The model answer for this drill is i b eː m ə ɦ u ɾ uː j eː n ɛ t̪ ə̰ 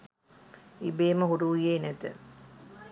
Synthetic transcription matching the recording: i b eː m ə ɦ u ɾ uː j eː n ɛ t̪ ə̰

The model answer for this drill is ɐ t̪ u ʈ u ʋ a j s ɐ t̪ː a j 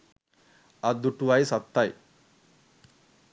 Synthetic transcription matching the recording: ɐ d̪ u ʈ u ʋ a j s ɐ t̪ː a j

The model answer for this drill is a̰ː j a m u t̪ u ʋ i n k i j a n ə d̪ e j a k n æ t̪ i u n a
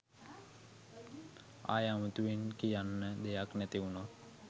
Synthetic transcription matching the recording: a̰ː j a m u t̪ u ʋ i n k i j a nː ə d̪ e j a k n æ t̪ i u n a

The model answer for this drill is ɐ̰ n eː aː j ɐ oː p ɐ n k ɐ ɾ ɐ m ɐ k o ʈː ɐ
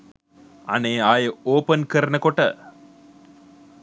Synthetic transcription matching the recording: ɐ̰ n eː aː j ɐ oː p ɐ n k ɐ ɾ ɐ n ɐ k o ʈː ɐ

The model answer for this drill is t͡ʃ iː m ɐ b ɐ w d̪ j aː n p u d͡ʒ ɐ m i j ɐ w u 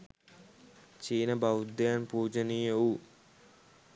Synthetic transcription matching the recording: t͡ʃ iː n ɐ b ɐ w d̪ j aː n p uː d͡ʒ ɐ n i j ɐ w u

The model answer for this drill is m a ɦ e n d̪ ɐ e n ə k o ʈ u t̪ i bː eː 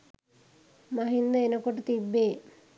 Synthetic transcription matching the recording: m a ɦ i n d̪ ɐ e n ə k o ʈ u t̪ i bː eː

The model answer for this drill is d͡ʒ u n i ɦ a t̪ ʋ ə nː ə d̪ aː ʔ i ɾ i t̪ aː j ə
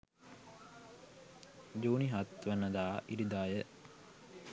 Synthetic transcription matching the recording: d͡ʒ uː n i ɦ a t̪ ʋ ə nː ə d̪ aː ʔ i ɾ i d̪ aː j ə

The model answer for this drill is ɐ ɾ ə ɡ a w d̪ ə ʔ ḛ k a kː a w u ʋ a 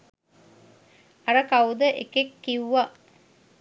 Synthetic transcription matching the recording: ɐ ɾ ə k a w d̪ ə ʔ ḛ k e kː i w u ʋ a

